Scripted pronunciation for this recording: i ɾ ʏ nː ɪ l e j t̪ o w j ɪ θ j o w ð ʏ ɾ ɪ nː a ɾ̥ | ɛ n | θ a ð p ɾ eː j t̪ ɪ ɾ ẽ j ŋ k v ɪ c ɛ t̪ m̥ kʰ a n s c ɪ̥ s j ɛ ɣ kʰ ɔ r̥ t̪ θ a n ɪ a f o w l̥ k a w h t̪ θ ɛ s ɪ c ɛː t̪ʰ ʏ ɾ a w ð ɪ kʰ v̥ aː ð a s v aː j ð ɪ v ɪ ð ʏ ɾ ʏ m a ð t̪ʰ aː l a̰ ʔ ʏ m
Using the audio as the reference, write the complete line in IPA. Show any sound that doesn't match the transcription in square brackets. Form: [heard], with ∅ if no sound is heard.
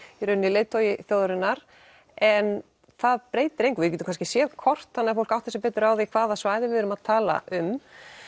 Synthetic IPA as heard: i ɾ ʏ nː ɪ l e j t̪ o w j ɪ θ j o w ð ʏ ɾ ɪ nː a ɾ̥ | ɛ n | θ a ð p ɾ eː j t̪ ɪ ɾ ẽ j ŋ k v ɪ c ɛ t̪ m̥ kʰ a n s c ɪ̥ s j ɛ [ð] kʰ ɔ r̥ t̪ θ a n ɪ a f o w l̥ k a w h t̪ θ ɛ s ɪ [p] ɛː [t̪] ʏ ɾ a w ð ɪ kʰ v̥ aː ð a s v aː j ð ɪ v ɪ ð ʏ ɾ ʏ m a ð t̪ʰ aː l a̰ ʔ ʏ m